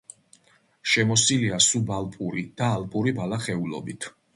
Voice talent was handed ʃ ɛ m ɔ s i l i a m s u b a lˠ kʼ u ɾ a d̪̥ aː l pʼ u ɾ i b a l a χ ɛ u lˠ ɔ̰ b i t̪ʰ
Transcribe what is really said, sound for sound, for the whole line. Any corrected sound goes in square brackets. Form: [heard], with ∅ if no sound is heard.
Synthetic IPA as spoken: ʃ ɛ m ɔ s i l i a [∅] s u b a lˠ [pʼ] u ɾ [i] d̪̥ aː l pʼ u ɾ i b a l a χ ɛ u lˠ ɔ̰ b i t̪ʰ